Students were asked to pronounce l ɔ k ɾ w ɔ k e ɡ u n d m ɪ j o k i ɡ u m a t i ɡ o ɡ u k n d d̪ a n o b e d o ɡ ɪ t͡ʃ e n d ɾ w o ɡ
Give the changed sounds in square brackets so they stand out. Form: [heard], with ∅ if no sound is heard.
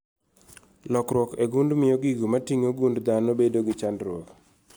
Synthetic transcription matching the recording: l ɔ k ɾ w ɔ k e ɡ u n d m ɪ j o [ɡ] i ɡ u m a t i [ŋ] o ɡ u [∅] n d d̪ a n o b e d o ɡ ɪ t͡ʃ [a] n d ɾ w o [k]